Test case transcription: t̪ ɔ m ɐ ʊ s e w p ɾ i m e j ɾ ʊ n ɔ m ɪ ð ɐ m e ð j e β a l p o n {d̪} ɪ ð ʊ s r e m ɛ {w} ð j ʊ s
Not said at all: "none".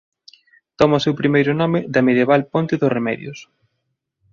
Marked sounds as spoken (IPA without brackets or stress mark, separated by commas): t̪, none